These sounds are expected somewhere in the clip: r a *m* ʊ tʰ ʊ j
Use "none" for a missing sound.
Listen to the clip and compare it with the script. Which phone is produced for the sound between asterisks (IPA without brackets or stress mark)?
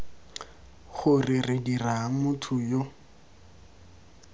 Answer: m